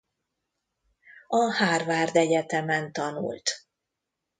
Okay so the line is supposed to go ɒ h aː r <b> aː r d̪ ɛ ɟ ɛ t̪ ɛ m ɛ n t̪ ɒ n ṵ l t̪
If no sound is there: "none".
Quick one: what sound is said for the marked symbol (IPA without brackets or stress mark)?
v